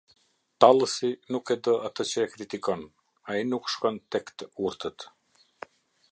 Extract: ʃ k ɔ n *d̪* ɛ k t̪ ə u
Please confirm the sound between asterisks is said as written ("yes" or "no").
no